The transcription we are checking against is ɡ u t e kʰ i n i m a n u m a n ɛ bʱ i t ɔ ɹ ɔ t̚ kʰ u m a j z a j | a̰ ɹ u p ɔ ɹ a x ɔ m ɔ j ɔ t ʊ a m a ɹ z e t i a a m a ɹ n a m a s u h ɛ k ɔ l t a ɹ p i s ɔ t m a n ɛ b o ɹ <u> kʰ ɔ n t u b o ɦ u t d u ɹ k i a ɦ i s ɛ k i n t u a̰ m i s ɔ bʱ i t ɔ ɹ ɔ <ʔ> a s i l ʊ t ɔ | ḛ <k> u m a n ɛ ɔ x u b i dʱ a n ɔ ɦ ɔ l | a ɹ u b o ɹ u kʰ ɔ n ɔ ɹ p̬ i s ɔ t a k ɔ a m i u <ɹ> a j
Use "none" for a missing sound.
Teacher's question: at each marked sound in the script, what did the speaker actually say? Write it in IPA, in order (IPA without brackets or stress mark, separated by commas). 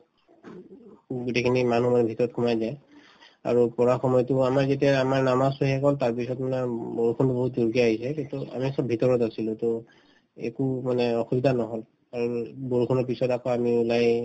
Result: u, t, k, l